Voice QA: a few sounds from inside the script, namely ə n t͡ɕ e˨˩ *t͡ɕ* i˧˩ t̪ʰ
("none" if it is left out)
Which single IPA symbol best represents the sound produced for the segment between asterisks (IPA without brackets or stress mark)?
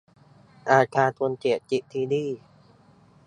t͡ɕ